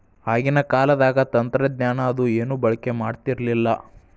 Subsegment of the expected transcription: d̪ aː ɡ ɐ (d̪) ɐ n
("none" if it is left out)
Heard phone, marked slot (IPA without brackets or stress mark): t̪